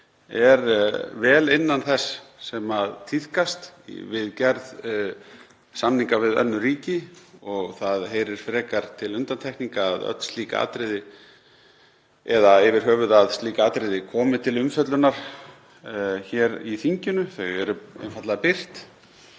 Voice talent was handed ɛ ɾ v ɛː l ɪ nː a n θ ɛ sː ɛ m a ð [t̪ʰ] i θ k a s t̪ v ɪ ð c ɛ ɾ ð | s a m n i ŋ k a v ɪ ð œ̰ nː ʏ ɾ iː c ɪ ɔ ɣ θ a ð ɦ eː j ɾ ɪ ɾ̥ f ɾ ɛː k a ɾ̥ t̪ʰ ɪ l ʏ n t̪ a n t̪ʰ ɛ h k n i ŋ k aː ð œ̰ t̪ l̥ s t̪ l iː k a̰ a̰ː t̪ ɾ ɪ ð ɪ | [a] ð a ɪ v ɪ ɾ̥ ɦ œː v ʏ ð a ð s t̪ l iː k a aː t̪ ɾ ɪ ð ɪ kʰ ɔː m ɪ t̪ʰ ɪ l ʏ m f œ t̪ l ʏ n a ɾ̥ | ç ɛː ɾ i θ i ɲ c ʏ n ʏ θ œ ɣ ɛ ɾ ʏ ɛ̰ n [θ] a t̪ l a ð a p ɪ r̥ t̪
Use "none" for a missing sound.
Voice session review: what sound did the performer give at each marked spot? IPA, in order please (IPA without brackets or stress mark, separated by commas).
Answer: t̪ʰ, ɛ, f